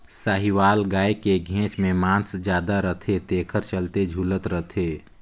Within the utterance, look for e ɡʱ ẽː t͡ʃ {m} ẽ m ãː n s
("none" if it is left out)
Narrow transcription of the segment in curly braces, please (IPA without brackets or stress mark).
m